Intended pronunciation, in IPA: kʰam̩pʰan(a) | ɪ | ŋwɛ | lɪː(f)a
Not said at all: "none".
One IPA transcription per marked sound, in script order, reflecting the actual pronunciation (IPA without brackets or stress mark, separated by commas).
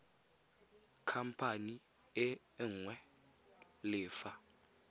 i, f